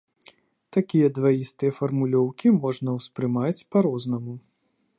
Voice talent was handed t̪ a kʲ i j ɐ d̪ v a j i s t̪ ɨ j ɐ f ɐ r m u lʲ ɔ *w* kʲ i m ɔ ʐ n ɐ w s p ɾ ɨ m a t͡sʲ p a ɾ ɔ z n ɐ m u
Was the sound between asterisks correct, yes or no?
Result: yes